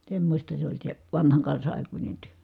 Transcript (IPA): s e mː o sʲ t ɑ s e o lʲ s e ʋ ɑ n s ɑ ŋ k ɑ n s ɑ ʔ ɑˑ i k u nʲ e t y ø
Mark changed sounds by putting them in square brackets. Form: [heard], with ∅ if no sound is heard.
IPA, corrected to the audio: s e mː o sʲ t ɑ s e o lʲ s e ʋ ɑ n [h] ɑ ŋ k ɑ n s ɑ ʔ ɑˑ i k u nʲ e t y ø